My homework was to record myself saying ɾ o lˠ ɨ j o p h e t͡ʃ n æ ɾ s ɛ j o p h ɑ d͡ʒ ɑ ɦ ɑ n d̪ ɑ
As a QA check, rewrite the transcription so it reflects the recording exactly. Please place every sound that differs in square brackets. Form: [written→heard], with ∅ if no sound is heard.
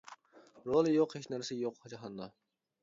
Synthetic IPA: ɾ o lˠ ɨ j o [p→q] h e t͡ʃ n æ ɾ s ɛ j o [p→q] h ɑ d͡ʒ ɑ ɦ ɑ n d̪ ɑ